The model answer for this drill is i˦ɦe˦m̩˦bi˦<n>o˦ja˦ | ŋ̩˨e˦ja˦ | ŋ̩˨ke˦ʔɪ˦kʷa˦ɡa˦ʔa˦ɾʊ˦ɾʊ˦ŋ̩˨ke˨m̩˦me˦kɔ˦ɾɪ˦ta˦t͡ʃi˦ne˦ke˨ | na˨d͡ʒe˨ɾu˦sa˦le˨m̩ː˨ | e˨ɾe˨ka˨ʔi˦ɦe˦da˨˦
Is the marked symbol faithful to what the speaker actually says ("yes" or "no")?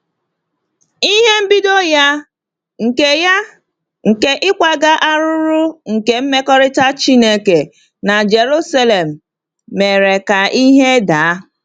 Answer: no